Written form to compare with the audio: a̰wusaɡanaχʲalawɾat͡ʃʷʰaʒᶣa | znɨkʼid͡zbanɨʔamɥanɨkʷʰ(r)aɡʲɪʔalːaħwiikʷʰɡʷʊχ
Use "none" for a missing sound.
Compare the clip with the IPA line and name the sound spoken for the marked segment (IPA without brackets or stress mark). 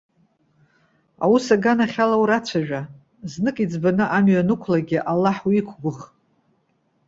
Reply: l